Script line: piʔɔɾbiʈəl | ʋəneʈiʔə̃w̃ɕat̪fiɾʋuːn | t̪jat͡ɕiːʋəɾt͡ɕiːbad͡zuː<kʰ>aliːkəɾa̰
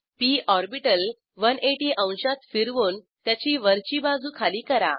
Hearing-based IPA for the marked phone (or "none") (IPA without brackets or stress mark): kʰ